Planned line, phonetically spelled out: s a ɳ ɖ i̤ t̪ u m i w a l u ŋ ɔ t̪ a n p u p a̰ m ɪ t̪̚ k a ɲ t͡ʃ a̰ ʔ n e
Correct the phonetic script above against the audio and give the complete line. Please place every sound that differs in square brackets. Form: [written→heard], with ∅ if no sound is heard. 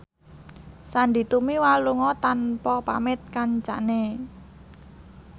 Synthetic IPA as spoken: s a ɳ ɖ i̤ t̪ u m i w a l u ŋ ɔ t̪ a n p [u→ɔ] p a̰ m ɪ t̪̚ k a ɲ t͡ʃ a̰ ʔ n e